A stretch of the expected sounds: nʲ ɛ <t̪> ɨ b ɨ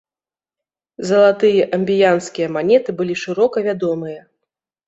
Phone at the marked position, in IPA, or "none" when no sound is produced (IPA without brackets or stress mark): t̪